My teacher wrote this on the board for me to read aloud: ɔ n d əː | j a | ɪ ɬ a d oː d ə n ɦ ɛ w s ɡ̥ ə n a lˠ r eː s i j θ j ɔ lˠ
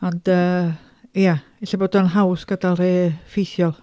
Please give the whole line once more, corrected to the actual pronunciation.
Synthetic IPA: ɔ n d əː | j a | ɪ ɬ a b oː d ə n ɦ a w s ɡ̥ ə d a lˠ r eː f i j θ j ɔ lˠ